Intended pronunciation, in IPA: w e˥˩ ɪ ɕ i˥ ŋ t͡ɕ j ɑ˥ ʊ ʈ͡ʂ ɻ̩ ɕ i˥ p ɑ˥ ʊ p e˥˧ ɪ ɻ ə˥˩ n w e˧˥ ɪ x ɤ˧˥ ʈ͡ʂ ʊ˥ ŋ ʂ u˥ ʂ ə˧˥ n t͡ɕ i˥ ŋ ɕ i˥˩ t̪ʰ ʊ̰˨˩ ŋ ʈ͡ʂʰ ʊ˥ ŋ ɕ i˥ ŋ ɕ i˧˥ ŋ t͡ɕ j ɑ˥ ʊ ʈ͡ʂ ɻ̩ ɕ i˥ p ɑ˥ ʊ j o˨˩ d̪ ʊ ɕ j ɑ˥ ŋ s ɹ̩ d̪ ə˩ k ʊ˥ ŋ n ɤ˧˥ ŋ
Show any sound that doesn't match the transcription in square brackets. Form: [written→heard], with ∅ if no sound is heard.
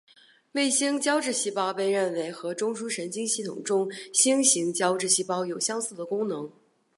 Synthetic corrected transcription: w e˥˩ ɪ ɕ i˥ ŋ t͡ɕ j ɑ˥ ʊ ʈ͡ʂ ɻ̩ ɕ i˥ p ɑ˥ ʊ p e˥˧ ɪ ɻ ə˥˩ n w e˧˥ ɪ x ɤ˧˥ ʈ͡ʂ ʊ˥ ŋ ʂ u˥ ʂ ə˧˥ n t͡ɕ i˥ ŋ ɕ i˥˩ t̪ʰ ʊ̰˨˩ ŋ [ʈ͡ʂʰ→ʈ͡ʂ] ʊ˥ ŋ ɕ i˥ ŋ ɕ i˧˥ ŋ t͡ɕ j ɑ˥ ʊ ʈ͡ʂ ɻ̩ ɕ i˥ p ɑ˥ ʊ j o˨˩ [d̪→∅] ʊ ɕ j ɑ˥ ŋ s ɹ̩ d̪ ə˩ k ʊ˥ ŋ n ɤ˧˥ ŋ